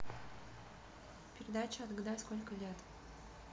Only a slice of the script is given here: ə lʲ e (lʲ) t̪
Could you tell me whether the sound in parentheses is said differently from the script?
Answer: yes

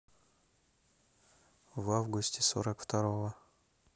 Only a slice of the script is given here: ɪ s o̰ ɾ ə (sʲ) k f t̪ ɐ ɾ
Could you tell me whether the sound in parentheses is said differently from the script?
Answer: yes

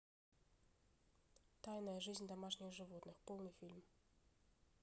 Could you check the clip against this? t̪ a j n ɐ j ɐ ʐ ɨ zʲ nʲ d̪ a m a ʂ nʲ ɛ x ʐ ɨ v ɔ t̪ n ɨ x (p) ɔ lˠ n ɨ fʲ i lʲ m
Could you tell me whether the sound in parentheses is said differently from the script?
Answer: no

